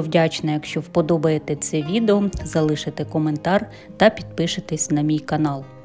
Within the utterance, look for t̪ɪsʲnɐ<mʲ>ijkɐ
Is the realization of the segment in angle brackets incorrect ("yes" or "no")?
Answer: no